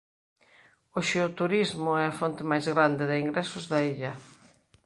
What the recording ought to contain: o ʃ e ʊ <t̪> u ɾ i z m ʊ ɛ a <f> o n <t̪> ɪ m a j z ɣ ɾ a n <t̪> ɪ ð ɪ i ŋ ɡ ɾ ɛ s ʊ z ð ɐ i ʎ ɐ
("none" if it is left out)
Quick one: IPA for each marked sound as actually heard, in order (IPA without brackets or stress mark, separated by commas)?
t̪, f, t̪, d̪